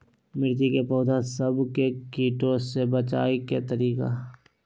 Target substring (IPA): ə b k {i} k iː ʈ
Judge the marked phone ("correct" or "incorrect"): incorrect